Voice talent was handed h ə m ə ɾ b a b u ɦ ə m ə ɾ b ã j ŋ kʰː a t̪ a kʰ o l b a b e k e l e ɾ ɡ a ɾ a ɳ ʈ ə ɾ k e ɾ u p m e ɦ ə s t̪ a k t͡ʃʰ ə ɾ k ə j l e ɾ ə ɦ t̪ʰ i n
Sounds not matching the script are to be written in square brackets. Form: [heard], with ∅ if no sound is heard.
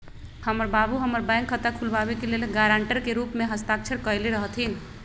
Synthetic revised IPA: h ə m ə ɾ b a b u ɦ ə m ə ɾ b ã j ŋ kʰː [ə] t̪ a kʰ [u] l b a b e k e l e [l] ɡ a ɾ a ɳ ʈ ə ɾ k e ɾ u p m e ɦ ə s t̪ a k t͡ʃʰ ə ɾ k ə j l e ɾ ə ɦ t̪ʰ i n